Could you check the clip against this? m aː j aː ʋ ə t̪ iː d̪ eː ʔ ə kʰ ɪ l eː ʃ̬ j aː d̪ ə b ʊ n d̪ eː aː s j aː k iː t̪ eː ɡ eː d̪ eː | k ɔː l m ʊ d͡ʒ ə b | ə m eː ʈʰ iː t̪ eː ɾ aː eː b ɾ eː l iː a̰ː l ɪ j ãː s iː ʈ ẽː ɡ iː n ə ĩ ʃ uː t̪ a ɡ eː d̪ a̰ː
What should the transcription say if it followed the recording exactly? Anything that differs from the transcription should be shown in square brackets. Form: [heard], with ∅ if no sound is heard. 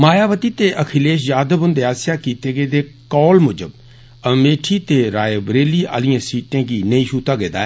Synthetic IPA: m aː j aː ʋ ə t̪ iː [t̪] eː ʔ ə kʰ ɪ l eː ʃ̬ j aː d̪ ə b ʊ n d̪ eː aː s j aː k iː t̪ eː ɡ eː d̪ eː | k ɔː l m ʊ d͡ʒ ə b | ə m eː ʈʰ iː t̪ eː ɾ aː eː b ɾ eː l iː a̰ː l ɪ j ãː s iː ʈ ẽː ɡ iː n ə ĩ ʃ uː t̪ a ɡ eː d̪ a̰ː